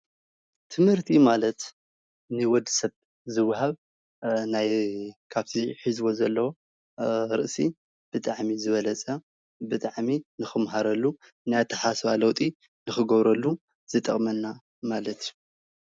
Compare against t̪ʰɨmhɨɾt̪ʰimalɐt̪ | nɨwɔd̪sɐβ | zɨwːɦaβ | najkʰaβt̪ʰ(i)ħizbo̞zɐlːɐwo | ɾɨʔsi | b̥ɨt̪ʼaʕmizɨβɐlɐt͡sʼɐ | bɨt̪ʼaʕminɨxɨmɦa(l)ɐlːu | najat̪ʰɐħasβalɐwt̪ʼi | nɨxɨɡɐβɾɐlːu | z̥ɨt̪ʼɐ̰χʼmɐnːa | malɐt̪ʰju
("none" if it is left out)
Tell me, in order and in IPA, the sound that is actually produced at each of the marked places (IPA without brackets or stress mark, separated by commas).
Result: i, ɾ